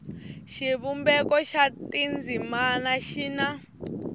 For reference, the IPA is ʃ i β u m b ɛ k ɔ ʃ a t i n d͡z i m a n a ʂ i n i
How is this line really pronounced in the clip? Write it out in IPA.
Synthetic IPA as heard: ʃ i β u m b ɛ k ɔ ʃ a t i n d͡z i m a n a ʃ i n a